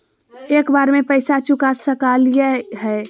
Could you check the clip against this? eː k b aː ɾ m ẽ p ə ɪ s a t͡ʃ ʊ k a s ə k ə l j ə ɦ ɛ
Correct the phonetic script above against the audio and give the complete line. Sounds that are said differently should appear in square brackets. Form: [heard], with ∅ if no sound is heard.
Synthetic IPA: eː k b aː ɾ m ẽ p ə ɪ s a t͡ʃ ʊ k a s ə k [a] l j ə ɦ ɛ